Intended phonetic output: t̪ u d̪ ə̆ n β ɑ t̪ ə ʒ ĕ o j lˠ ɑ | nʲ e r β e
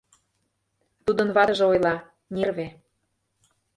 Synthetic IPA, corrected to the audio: t̪ u d̪ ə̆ n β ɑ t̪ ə ʒ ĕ o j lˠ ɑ | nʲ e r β e